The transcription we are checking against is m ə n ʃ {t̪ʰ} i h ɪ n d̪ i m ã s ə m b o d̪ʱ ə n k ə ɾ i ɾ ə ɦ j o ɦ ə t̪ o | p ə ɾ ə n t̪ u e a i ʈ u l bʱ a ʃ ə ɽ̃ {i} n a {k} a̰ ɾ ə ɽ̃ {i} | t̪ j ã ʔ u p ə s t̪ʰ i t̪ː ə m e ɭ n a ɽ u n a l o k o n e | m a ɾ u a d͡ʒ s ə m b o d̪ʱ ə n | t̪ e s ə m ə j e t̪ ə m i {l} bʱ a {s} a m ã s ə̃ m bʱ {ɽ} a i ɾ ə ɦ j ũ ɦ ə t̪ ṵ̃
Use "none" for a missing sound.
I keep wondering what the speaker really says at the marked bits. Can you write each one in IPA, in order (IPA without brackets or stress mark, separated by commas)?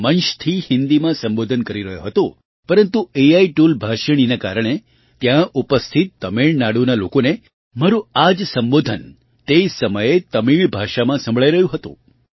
t̪ʰ, i, k, e, ɭ, ʃ, ɭ